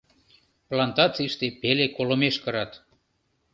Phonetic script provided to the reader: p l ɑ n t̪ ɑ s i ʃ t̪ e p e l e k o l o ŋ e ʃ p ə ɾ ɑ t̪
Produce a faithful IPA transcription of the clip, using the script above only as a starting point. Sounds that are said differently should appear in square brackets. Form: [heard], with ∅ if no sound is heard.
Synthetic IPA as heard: p l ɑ n t̪ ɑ [t͡s] i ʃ t̪ e p e l e k o l o [m] e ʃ [k] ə ɾ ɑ t̪